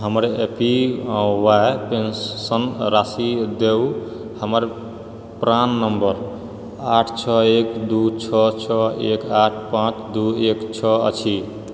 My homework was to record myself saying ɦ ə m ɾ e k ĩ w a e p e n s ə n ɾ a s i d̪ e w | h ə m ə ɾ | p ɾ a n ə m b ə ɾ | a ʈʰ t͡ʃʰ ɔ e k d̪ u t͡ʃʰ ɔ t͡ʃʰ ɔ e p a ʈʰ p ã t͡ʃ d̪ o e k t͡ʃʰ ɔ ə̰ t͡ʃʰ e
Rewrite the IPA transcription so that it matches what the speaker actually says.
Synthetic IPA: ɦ ə m ɾ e p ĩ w a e p e n s ə n ɾ a s i d̪ e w | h ə m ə ɾ | p ɾ a nː ə m b ə ɾ | a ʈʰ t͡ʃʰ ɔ e k d̪ u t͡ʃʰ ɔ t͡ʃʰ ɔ e k a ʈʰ p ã t͡ʃ d̪ u e k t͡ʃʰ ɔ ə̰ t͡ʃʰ i